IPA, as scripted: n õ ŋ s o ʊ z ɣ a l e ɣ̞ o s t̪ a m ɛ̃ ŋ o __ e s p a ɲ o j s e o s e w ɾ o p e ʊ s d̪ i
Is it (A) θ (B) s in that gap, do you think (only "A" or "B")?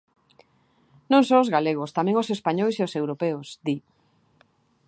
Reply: B